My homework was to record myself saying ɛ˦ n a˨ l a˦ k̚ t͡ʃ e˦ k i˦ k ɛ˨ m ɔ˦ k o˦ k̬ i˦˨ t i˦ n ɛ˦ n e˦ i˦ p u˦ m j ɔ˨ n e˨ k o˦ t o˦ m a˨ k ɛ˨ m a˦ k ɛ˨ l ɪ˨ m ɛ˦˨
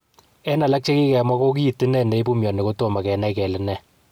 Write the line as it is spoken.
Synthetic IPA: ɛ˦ n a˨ l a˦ k̚ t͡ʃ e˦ k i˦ k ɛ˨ m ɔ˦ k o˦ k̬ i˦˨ t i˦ n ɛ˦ n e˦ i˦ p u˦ m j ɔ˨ n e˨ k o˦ t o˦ m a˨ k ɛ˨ n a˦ k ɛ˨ l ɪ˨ n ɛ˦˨